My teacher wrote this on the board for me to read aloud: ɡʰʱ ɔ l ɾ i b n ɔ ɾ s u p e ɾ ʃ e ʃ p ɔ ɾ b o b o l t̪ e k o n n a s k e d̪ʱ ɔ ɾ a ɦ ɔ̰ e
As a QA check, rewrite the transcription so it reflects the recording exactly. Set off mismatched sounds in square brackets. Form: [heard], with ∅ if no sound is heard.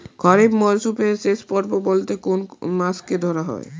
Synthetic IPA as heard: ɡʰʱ ɔ [∅] ɾ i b [m] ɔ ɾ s u p e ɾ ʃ e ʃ p ɔ ɾ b o b o l t̪ e k o n [m] a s k e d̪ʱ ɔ ɾ a ɦ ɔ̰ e